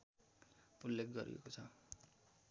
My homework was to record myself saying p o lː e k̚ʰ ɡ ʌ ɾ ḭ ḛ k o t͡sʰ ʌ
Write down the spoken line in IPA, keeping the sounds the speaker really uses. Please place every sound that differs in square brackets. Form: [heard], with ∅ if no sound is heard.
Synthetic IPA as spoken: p [u] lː e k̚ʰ ɡ ʌ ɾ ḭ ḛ k o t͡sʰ ʌ